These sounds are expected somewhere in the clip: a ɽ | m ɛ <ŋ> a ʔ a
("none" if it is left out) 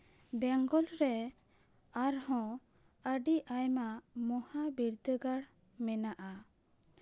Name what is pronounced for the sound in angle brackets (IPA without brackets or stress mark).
n